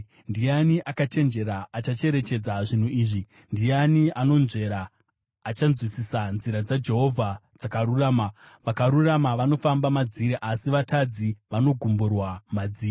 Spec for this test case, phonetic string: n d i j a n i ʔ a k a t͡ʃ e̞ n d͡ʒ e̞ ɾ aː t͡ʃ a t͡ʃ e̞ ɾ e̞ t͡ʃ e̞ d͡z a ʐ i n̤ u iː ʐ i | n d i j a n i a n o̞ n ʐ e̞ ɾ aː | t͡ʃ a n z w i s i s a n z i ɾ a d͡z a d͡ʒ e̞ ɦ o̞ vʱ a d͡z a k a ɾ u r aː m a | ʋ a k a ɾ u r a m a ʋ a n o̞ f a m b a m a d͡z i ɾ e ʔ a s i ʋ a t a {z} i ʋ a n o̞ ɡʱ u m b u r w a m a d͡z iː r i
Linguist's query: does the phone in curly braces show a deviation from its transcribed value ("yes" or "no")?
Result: yes